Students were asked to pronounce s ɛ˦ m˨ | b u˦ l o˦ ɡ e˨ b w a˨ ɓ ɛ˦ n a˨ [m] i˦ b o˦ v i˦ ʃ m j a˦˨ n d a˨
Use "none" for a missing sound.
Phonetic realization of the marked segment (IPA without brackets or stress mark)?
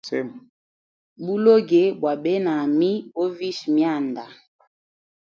m